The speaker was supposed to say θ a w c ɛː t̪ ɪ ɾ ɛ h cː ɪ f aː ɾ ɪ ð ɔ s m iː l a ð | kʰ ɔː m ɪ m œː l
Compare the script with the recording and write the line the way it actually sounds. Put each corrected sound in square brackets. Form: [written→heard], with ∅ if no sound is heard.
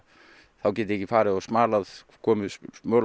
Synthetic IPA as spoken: θ a w c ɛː t̪ ɪ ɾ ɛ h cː ɪ f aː ɾ ɪ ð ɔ s m [iː→aː] l a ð | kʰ ɔː m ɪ m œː l